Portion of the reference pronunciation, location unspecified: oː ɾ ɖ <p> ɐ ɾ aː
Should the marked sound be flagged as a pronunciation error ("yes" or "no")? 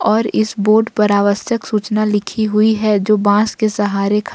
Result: no